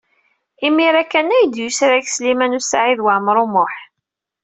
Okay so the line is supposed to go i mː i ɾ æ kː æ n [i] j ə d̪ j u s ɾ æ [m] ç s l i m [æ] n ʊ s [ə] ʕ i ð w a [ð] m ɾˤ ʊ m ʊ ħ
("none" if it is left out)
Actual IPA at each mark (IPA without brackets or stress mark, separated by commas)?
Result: æ, none, æ, a, ʕ